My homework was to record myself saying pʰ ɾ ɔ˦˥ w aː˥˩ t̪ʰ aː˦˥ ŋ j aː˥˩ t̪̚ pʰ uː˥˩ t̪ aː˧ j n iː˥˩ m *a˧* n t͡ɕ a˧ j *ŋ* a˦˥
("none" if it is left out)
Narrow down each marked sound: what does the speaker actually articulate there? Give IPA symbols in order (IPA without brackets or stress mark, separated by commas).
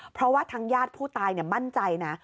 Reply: a˥˩, n